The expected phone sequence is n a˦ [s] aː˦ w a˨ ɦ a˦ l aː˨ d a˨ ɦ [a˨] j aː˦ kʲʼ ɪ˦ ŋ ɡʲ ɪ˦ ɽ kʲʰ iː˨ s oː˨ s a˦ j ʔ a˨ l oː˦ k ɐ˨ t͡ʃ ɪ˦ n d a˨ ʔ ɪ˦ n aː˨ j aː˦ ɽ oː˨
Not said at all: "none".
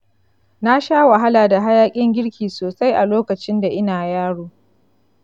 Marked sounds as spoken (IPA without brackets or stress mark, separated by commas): ʃ, a˦